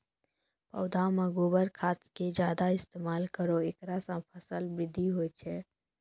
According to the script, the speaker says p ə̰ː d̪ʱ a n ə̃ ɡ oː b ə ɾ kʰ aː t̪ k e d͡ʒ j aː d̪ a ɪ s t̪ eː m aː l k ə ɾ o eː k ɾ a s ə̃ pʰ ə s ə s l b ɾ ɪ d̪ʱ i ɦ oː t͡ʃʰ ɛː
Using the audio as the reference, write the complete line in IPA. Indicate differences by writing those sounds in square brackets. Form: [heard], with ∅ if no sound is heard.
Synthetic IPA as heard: p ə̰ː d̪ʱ a [m] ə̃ ɡ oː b ə ɾ kʰ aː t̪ k e d͡ʒ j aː d̪ a ɪ s t̪ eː m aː l k ə ɾ o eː k ɾ a s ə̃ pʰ ə s ə [∅] l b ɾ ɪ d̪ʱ i ɦ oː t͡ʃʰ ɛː